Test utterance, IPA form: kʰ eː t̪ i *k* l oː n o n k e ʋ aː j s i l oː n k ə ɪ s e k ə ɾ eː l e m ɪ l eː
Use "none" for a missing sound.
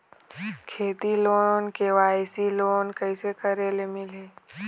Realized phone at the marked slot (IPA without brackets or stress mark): none